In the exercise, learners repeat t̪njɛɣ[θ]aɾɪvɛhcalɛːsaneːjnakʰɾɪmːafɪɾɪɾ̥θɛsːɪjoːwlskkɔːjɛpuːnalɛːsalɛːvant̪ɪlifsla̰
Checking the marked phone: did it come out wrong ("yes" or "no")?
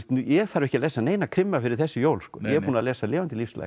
no